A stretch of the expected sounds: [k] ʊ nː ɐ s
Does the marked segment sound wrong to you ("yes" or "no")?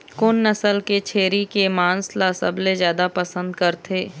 no